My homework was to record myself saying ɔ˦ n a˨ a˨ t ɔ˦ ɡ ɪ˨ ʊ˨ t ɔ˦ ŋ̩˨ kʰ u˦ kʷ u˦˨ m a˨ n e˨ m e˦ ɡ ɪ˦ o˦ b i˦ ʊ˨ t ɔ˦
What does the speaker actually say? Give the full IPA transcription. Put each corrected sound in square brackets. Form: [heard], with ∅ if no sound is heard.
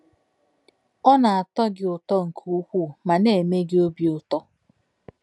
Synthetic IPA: ɔ˦ n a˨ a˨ t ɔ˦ ɡ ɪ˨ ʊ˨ t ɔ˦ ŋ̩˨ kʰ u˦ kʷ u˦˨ m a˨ n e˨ m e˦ ɡ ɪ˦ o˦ b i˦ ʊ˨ t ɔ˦